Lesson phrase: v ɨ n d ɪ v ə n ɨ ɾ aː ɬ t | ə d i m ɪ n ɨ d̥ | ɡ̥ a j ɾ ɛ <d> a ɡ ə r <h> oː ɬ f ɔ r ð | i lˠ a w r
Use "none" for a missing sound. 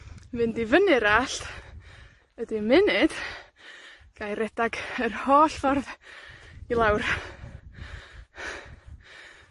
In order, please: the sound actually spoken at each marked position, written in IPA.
d, h

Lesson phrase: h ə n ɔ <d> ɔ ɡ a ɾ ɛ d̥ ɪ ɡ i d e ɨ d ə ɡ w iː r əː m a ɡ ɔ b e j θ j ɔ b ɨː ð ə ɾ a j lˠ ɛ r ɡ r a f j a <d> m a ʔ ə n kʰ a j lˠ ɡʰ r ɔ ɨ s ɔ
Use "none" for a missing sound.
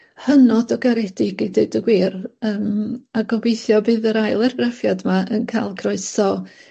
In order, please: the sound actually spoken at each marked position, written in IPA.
d, d

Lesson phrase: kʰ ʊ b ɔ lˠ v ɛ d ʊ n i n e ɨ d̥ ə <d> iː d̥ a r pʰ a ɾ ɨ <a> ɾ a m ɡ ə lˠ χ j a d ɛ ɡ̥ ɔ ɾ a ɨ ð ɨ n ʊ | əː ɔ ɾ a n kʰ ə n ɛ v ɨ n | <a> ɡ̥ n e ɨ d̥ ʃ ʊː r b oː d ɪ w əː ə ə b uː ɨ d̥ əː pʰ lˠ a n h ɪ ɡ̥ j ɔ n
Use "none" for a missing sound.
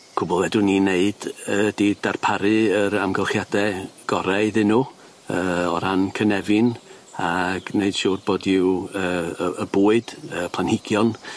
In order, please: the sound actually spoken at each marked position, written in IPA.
d, ə, a

